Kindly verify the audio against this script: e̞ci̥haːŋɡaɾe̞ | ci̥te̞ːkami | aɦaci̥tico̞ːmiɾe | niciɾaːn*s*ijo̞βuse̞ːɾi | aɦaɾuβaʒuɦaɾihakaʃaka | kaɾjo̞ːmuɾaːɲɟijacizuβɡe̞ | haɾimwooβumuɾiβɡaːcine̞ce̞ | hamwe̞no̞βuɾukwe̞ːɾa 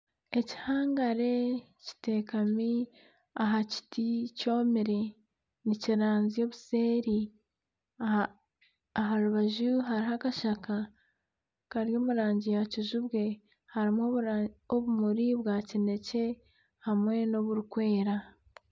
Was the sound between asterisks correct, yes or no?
no